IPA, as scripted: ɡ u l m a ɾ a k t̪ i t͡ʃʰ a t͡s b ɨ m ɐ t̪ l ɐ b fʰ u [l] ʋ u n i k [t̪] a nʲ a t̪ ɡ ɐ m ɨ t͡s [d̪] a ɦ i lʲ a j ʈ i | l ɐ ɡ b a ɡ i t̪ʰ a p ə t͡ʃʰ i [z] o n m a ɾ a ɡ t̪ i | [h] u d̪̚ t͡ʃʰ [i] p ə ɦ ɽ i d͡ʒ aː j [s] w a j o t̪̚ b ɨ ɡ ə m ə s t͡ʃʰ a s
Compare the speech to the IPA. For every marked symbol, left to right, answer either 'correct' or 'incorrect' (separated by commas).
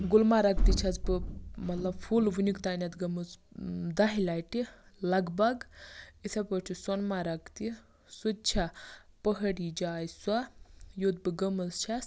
correct, correct, correct, incorrect, incorrect, incorrect, correct